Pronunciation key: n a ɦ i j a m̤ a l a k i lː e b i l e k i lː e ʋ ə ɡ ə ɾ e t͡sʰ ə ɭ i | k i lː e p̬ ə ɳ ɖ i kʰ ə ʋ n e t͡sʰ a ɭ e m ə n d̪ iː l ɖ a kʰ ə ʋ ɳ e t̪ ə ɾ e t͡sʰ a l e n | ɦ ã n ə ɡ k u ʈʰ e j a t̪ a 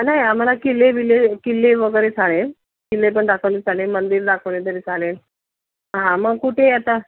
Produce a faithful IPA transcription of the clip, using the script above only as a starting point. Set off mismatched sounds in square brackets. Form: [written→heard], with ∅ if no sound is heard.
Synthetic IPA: n a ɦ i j a m̤ a l a k i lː e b i l e k i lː e ʋ ə ɡ ə ɾ e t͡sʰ [ə→a] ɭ [i→e] | k i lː e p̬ ə ɳ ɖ [i→a] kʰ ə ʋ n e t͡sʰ a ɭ e m ə n d̪ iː [l→ɾ] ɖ a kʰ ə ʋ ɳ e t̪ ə ɾ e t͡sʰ a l e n | ɦ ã [n→m] ə ɡ k u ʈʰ e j a t̪ a